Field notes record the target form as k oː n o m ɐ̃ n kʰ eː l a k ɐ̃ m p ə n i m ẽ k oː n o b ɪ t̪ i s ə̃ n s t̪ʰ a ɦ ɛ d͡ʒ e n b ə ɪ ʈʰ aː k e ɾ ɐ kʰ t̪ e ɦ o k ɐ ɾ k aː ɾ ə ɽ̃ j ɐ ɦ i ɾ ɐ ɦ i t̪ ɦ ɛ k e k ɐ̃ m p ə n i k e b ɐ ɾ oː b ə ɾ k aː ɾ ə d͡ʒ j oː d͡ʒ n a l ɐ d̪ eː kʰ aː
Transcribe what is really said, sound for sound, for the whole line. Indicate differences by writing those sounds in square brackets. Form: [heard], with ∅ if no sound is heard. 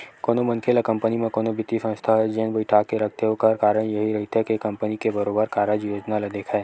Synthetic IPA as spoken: k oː n o m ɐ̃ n kʰ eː l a k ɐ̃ m p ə n i m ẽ k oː n o b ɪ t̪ i s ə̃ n s t̪ʰ a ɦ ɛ d͡ʒ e n b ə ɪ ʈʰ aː k e ɾ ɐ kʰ t̪ e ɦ o k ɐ ɾ k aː ɾ ə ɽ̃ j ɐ ɦ i ɾ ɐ ɦ i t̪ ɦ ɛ k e k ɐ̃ m p ə n i k e b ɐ ɾ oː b ə ɾ k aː ɾ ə d͡ʒ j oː d͡ʒ n a l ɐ d̪ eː kʰ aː